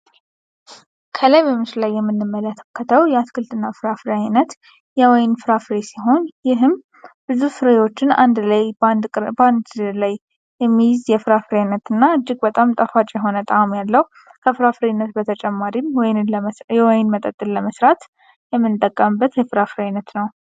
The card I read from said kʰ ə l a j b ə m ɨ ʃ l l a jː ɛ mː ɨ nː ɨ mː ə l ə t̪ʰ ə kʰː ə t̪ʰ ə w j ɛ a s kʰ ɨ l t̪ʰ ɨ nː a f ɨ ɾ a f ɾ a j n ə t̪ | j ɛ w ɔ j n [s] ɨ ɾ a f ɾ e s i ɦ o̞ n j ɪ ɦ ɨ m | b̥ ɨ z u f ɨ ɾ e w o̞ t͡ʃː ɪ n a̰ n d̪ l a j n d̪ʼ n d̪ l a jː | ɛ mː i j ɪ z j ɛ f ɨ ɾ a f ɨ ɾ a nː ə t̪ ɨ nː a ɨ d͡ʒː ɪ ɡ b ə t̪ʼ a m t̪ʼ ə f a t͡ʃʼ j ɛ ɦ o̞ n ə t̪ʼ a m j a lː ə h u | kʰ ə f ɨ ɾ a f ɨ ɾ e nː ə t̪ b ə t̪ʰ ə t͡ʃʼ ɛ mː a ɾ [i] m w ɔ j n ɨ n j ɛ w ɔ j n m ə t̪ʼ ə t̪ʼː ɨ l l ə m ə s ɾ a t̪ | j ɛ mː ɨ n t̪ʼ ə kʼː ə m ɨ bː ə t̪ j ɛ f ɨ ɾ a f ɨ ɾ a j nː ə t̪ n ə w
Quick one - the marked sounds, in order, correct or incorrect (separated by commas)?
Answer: incorrect, correct